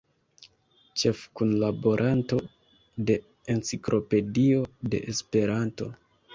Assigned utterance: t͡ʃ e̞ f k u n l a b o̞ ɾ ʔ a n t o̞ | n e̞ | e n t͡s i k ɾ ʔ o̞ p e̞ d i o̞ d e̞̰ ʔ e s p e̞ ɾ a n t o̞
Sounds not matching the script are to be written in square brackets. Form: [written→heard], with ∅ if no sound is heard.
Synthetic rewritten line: t͡ʃ e̞ f k u n l a b o̞ ɾ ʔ a n t o̞ | [n→d] e̞ | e n t͡s i k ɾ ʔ o̞ p e̞ d i o̞ d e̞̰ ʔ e s p e̞ ɾ a n t o̞

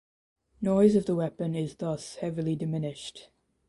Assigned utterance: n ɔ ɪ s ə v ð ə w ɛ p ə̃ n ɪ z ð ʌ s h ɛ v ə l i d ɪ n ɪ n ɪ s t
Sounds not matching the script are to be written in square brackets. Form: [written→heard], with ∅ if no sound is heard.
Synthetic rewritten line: n ɔ ɪ [s→z] ə v ð ə w ɛ p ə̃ n ɪ z ð ʌ s h ɛ v ə l i d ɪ [n→m] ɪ n ɪ [s→ʃ] t

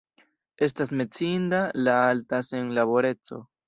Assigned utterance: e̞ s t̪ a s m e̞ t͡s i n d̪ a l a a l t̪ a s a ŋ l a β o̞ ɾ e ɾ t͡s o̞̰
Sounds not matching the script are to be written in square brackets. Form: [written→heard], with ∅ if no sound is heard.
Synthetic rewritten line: e̞ s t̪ a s m e̞ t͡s i n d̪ a l a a l t̪ a s [a→e] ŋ l a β o̞ ɾ e [ɾ→∅] t͡s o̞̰

